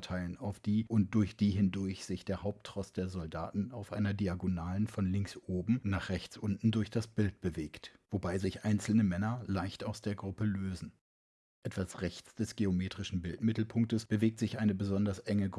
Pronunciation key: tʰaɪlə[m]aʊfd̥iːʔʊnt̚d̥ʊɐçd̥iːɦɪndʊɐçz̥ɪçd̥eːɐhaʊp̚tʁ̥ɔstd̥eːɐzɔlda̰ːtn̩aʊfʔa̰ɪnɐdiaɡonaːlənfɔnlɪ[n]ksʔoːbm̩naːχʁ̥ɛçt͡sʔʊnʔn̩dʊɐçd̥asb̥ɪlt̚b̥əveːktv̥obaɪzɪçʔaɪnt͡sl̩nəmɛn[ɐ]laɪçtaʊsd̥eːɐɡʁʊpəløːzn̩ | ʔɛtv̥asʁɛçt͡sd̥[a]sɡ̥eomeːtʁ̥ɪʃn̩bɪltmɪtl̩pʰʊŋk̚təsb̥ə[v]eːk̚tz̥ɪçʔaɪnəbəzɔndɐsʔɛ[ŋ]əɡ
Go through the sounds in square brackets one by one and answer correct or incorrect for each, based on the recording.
incorrect, incorrect, correct, incorrect, correct, correct

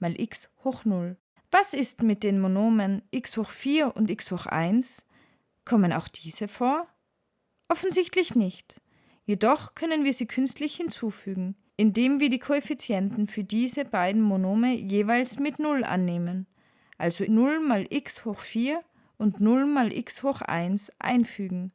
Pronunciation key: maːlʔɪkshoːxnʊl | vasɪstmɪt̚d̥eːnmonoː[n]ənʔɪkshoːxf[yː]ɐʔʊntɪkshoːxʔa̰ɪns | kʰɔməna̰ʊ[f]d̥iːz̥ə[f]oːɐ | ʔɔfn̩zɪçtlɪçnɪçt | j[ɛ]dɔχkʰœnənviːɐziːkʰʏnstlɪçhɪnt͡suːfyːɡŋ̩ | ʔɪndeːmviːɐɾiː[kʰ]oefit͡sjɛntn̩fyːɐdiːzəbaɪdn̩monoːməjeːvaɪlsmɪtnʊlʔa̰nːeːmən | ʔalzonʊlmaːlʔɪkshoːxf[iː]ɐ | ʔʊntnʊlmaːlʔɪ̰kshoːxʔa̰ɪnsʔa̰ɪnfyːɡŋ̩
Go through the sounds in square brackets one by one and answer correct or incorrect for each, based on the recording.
incorrect, incorrect, incorrect, correct, incorrect, correct, correct

